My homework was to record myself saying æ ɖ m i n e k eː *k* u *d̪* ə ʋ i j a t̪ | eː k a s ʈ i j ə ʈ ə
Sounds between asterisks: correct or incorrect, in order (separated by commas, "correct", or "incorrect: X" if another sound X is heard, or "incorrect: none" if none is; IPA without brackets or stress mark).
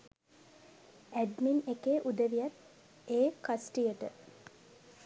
incorrect: ʔ, correct